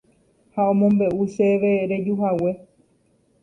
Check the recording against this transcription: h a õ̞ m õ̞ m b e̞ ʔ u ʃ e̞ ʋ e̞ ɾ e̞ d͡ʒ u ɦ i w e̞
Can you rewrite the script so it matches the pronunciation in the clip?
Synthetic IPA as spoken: h a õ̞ m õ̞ m b e̞ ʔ u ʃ e̞ ʋ e̞ ɾ e̞ d͡ʒ u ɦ a w e̞